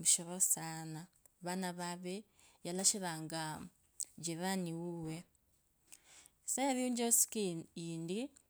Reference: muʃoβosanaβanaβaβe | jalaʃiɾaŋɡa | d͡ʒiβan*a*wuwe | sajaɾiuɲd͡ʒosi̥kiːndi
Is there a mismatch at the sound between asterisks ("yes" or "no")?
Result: yes